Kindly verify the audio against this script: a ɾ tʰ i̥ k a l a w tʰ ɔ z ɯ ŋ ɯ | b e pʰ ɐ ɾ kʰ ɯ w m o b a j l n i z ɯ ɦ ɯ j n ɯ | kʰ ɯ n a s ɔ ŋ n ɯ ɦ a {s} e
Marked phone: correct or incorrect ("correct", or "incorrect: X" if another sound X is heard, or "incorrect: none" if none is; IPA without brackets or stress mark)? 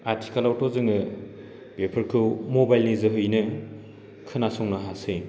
correct